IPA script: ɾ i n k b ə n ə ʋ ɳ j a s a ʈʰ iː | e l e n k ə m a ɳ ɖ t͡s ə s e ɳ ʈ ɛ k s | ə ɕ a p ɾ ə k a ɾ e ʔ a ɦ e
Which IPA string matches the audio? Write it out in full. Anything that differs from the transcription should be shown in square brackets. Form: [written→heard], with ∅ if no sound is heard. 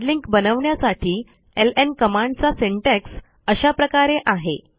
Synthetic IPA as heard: [ɾ→l] i [n→ŋ] k b ə n ə ʋ ɳ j a s a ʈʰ iː | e l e n k ə m a ɳ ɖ t͡s [ə→a] s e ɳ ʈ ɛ k s | ə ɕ a p ɾ ə k a ɾ e ʔ a ɦ e

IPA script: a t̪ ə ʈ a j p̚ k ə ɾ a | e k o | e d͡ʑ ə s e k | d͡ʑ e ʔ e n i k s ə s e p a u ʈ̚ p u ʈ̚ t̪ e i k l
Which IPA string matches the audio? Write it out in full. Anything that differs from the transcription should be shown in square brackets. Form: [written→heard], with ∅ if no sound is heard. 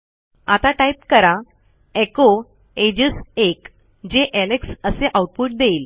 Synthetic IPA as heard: a t̪ [ə→a] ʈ a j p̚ k ə ɾ a | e k o | e d͡ʑ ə s e k | d͡ʑ e ʔ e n [i→e] k s ə s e [p→ʔ] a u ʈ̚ p u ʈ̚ [t̪→d̪] e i [k→∅] l

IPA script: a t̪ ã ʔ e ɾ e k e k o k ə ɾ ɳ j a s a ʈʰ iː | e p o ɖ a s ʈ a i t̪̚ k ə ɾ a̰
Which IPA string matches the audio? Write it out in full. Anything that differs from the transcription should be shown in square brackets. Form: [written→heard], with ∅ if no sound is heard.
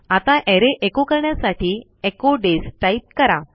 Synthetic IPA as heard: a t̪ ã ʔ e ɾ e [k→ʔ] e k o k ə ɾ ɳ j a s a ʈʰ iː | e [p→k] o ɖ [a→e] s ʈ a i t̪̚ k ə ɾ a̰

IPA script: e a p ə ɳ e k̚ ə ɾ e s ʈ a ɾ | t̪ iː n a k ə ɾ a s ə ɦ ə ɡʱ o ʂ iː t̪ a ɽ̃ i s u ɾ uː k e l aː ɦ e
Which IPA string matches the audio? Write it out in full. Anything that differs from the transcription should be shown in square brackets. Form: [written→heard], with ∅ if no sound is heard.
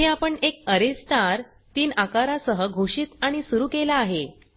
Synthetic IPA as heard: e a p ə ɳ e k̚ ə ɾ e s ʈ a ɾ | t̪ iː n a k [ə→a] ɾ a s ə ɦ ə ɡʱ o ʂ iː t̪ a ɽ̃ i s u ɾ uː k e l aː ɦ e

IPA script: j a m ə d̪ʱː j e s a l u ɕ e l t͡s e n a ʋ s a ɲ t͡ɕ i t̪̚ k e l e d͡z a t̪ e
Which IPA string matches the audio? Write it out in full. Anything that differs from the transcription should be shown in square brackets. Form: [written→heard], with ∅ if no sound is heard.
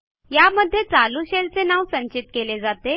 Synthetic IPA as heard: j a m ə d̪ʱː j e [s→t͡s] a l u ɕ e l t͡s e n a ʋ s [a→ə] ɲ t͡ɕ i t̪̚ k e l e d͡z a t̪ e

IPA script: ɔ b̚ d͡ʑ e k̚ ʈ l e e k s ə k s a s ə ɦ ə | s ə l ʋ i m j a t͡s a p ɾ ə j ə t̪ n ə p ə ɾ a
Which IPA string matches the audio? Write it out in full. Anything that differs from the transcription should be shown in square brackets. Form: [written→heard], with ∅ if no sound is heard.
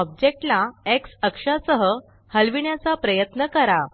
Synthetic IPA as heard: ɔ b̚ d͡ʑ e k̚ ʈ l [e→a] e k s ə k [s→ʂ] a s ə ɦ ə | [s→h] ə l ʋ i [m→ɳ] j a t͡s a p ɾ ə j ə t̪ n ə [p→k] ə ɾ a

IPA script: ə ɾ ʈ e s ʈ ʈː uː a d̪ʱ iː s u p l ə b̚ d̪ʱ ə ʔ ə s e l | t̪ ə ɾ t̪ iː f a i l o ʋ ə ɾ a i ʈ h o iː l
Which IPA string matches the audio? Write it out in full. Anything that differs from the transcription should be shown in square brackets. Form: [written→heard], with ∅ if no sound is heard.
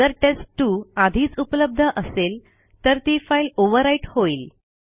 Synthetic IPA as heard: ə ɾ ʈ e s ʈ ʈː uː a d̪ʱ iː [s→t͡s] u p l ə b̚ d̪ʱ ə ʔ ə s e l | t̪ ə ɾ t̪ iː f a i l o ʋ ə ɾ a i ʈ h o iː l

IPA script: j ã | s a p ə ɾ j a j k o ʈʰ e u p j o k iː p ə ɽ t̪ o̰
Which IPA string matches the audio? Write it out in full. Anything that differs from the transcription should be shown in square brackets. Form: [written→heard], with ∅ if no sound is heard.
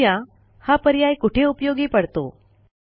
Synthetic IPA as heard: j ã | [s→h] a p ə ɾ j a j k [o→u] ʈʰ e u p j o [k→ɡ] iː p ə ɽ t̪ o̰

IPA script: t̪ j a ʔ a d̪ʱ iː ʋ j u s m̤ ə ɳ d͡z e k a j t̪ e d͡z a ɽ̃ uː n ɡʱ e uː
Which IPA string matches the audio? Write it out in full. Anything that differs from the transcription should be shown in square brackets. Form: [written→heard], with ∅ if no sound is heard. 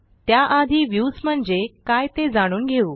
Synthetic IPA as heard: t̪ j a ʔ a d̪ʱ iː ʋ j u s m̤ ə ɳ d͡z e k a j t̪ e d͡z a ɽ̃ uː n ɡʱ e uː

